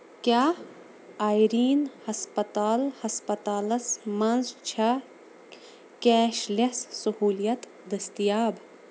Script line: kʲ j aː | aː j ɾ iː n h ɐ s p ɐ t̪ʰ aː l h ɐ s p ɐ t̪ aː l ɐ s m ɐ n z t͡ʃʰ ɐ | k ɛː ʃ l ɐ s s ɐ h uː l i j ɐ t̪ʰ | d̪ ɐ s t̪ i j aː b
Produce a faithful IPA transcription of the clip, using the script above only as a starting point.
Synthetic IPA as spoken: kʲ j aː | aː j ɾ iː n h ɐ s p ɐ t̪ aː l h ɐ s p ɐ t̪ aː l ɐ s m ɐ n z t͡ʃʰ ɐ | k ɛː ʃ l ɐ s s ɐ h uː l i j ɐ t̪ | d̪ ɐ s t̪ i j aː b